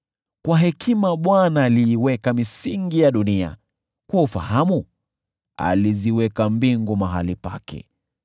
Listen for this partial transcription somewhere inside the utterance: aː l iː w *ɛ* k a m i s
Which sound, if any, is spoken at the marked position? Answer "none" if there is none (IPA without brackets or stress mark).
ɛ